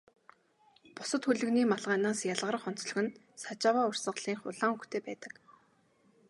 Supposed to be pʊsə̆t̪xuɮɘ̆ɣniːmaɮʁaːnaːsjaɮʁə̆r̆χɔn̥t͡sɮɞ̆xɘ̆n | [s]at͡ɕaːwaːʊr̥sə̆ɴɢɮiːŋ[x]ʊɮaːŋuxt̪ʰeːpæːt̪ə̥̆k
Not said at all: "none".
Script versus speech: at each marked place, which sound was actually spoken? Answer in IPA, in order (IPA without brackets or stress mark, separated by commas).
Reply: s, χ